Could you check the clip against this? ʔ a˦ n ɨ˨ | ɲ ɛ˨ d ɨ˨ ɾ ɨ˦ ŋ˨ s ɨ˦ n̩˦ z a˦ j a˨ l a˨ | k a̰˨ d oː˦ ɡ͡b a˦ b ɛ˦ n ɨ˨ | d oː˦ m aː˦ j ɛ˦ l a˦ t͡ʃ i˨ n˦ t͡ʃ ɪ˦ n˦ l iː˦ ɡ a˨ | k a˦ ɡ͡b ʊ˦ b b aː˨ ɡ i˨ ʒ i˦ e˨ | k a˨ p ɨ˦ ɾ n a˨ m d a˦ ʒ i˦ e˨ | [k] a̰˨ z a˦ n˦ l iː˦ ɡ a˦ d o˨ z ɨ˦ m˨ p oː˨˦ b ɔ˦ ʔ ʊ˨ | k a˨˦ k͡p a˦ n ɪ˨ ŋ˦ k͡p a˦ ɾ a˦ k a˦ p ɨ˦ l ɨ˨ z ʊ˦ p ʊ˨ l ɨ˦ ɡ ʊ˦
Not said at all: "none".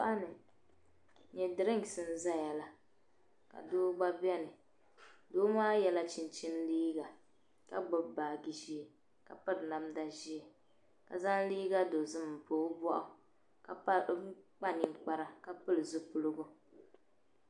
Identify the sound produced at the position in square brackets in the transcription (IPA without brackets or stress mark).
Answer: k